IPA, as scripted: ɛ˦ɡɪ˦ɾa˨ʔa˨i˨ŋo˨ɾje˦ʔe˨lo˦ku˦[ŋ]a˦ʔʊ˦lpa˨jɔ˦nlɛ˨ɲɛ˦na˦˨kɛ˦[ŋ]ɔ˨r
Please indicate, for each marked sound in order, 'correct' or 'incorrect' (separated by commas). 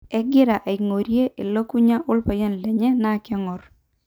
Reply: incorrect, correct